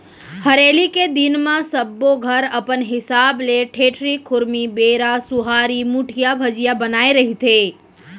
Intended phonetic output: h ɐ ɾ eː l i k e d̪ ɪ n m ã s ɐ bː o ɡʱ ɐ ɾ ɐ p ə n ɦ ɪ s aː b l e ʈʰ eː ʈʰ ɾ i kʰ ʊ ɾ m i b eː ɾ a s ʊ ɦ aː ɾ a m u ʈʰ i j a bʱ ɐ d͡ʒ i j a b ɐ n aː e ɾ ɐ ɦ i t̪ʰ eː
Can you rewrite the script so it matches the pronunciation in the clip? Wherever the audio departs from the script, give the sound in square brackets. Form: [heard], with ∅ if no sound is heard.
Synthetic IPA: h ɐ ɾ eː l i k e d̪ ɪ n m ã s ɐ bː o ɡʱ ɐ ɾ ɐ p ə n ɦ ɪ s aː b l e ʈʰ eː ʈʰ ɾ i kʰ ʊ ɾ m i b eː ɾ a s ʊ ɦ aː ɾ [i] m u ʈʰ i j a bʱ ɐ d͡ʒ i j a b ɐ n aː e ɾ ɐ ɦ i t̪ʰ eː